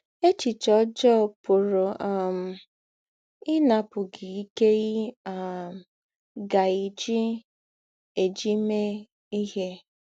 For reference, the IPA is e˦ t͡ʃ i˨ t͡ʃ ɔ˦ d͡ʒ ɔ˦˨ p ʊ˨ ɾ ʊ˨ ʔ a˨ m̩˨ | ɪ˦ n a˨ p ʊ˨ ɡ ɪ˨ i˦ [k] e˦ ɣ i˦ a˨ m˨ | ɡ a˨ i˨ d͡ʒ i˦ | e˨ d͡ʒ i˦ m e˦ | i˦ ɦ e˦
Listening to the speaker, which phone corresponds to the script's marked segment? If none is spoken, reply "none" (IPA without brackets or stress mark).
k